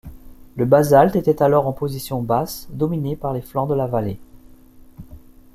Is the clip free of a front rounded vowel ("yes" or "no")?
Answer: yes